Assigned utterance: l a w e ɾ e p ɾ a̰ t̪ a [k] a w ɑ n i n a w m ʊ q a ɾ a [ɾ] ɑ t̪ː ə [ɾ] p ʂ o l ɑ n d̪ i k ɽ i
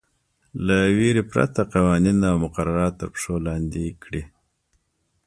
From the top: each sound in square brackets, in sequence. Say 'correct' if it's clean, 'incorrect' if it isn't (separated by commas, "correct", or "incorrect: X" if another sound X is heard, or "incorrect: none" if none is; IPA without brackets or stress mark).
incorrect: q, correct, correct